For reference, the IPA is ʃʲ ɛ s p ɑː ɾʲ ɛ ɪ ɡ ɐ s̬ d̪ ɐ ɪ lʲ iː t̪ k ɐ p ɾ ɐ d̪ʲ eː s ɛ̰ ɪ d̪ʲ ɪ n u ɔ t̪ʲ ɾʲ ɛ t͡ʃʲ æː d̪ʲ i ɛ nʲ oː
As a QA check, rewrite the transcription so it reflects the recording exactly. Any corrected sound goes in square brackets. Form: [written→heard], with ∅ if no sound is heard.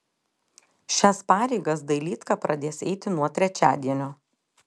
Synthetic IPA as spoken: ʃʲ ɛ s p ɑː ɾʲ ɛ ɪ ɡ ɐ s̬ d̪ ɐ ɪ lʲ iː t̪ k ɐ p ɾ ɐ d̪ʲ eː s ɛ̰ ɪ [d̪ʲ→t̪ʲ] ɪ n u ɔ t̪ʲ ɾʲ ɛ t͡ʃʲ æː d̪ʲ i ɛ nʲ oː